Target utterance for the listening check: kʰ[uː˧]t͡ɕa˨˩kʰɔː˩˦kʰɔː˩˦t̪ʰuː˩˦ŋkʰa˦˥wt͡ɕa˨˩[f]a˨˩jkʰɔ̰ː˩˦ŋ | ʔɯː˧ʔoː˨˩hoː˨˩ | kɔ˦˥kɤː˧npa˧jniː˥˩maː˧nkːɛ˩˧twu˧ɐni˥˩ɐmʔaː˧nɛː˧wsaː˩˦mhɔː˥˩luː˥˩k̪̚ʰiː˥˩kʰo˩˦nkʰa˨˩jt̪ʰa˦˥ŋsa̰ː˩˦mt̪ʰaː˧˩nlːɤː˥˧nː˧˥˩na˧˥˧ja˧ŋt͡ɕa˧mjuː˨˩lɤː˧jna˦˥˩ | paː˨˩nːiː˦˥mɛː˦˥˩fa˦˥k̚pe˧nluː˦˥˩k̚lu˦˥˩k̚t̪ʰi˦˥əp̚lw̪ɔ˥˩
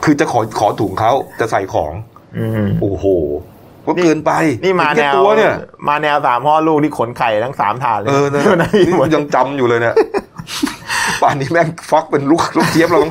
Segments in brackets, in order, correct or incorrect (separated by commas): incorrect, incorrect